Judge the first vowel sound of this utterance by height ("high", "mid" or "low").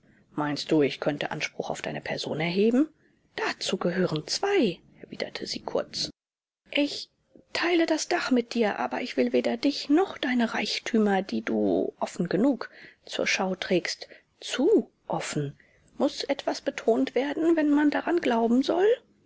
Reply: low